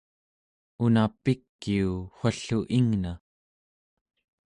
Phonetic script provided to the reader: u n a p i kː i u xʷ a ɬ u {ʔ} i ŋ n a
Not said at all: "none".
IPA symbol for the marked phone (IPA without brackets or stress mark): ʔ